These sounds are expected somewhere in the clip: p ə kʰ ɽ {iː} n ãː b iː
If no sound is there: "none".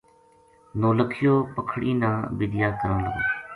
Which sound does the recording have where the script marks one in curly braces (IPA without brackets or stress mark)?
iː